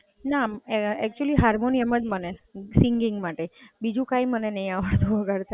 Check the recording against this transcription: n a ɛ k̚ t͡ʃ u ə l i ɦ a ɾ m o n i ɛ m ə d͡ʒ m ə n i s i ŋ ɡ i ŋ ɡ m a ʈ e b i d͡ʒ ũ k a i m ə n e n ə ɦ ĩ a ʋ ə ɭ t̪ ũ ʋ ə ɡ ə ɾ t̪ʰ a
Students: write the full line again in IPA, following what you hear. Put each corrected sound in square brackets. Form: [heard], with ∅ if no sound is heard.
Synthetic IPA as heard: n a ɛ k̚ t͡ʃ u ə l i ɦ a ɾ m o n i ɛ m ə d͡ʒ m ə n [e] s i ŋ ɡ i ŋ ɡ m a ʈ e b i d͡ʒ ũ k a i m ə n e n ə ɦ ĩ a ʋ ə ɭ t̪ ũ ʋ ə ɡ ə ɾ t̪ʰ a